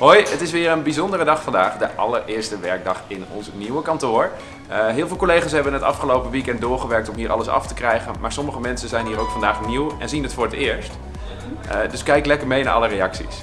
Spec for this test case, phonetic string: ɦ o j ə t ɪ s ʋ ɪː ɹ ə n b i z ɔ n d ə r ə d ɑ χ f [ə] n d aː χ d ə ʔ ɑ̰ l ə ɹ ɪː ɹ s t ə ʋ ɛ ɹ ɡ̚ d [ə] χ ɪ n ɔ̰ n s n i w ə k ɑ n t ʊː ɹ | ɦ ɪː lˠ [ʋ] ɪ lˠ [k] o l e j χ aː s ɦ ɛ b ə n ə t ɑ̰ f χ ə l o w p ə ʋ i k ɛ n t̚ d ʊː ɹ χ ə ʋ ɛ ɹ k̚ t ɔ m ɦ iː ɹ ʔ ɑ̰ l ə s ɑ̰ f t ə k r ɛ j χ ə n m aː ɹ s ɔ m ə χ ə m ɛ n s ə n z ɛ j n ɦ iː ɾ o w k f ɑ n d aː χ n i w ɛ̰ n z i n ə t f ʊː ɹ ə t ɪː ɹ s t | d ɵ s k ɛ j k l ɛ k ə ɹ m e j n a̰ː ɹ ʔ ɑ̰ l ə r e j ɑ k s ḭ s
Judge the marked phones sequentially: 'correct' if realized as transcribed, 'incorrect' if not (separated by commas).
incorrect, incorrect, incorrect, correct